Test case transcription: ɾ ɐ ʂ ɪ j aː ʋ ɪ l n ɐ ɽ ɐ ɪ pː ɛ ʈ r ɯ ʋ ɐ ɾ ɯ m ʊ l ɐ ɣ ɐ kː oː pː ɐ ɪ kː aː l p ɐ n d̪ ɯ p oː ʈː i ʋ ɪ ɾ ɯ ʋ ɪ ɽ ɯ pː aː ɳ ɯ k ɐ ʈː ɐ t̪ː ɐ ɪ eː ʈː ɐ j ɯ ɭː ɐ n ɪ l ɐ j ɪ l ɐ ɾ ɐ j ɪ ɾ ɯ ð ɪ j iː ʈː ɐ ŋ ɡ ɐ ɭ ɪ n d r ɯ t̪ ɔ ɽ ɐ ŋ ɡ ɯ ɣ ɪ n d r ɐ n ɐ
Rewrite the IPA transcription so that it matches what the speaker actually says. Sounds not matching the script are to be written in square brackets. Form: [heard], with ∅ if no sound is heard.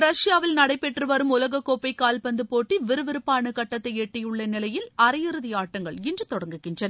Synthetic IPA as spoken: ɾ ɐ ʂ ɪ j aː ʋ ɪ l n ɐ ɽ ɐ ɪ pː ɛ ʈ r ɯ ʋ ɐ ɾ ɯ m ʊ l ɐ ɣ ɐ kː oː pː ɐ ɪ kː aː l p ɐ n d̪ ɯ p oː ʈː i ʋ ɪ ɾ ɯ ʋ ɪ [ɾ] ɯ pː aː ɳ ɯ k ɐ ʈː ɐ t̪ː ɐ ɪ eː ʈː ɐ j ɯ ɭː ɐ n ɪ l ɐ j ɪ l ɐ ɾ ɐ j ɪ ɾ ɯ ð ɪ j [aː] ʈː ɐ ŋ ɡ ɐ ɭ ɪ n d r ɯ t̪ ɔ ɽ ɐ ŋ ɡ ɯ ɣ ɪ n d r ɐ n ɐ